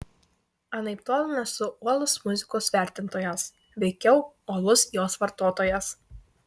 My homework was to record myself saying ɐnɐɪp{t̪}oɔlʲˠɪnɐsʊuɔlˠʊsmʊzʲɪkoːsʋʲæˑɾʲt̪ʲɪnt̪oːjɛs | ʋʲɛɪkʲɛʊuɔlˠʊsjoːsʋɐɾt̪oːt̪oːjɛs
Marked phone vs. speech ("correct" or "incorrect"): correct